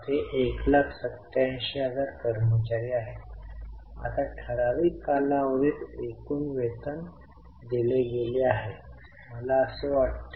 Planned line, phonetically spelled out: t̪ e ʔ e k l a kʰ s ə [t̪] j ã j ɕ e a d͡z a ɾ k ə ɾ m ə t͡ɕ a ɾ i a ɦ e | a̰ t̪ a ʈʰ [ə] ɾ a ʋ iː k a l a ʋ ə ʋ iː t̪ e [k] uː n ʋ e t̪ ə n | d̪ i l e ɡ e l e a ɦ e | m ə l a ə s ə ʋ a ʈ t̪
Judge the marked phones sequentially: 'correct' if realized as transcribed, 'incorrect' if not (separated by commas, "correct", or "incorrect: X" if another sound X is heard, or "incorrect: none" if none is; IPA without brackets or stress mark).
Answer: correct, correct, correct